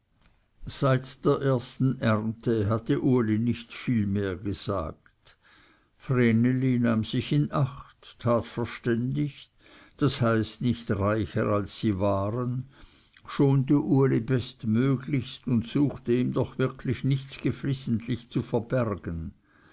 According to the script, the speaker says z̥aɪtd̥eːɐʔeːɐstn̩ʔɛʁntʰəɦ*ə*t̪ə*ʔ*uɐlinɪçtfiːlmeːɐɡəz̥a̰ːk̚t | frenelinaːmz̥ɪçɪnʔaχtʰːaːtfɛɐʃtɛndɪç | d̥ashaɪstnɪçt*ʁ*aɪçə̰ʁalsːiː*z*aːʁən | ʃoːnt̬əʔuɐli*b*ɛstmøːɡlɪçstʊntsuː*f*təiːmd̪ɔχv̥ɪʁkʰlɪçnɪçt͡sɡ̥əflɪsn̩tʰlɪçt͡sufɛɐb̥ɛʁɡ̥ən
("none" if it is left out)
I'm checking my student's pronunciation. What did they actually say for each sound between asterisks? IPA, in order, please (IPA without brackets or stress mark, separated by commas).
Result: a, ʔ, ʁ, v, b, x